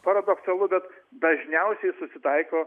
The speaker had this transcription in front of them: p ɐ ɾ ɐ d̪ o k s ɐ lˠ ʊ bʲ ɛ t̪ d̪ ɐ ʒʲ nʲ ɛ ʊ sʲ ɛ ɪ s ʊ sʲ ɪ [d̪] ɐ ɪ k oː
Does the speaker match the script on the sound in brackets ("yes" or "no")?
no